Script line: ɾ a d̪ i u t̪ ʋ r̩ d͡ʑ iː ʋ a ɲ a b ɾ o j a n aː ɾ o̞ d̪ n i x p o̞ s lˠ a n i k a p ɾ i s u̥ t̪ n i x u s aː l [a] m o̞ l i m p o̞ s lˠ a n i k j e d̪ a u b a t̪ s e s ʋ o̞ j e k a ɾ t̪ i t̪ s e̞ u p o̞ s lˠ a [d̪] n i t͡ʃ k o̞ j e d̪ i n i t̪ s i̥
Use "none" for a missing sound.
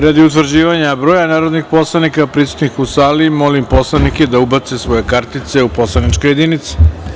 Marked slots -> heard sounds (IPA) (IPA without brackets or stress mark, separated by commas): i, none